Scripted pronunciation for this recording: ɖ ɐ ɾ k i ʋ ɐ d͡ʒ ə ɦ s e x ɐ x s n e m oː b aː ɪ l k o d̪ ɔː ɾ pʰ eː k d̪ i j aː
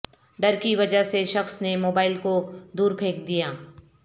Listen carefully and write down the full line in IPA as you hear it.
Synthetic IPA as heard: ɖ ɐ ɾ k i ʋ ɐ d͡ʒ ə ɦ s e ʃ ɐ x s n e m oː b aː ɪ l k o d̪ uː ɾ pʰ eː k d̪ i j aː